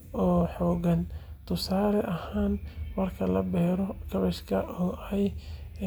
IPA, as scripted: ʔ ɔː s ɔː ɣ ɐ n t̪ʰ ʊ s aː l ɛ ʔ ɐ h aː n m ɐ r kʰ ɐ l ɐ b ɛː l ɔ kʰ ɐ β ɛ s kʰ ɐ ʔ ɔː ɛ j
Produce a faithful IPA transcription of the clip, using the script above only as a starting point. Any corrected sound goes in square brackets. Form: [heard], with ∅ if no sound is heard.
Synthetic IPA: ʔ ɔː [ħ] ɔː ɣ ɐ n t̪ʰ ʊ s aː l ɛ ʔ ɐ h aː n m ɐ r kʰ ɐ l ɐ b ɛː [ɾ] ɔ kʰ ɐ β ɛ [ʃ] kʰ ɐ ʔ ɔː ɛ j

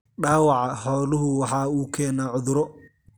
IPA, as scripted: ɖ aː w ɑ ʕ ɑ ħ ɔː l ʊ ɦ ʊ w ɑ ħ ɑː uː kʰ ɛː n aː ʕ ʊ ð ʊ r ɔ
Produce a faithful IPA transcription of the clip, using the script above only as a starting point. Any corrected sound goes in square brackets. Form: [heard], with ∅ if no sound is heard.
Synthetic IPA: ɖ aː w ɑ ʕ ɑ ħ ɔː l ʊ ɦ ʊ w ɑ ħ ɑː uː kʰ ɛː n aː ʕ ʊ ð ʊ [ɾ] ɔ

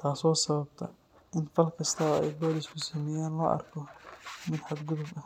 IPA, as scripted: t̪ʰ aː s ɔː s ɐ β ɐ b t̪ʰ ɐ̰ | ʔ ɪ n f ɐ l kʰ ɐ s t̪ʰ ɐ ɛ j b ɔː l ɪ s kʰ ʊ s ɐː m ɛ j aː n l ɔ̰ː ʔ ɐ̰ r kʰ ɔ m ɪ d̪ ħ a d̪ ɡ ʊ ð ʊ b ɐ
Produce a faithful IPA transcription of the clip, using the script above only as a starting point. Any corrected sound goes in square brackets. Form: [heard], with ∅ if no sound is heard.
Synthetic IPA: t̪ʰ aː s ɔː s ɐ β ɐ b t̪ʰ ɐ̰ | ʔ ɪ n f ɐ l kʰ ɐ s t̪ʰ ɐ ɛ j b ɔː l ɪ s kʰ ʊ s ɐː m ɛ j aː n l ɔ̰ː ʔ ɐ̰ r kʰ ɔ m ɪ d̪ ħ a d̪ ɡ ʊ ð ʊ b ɐ

